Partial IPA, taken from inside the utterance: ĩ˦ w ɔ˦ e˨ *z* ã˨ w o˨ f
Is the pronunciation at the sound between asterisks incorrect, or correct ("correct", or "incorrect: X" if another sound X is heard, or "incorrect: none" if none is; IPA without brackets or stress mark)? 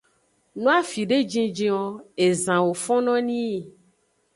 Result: correct